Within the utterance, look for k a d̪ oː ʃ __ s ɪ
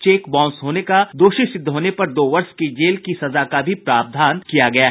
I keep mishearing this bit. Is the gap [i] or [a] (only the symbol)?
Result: i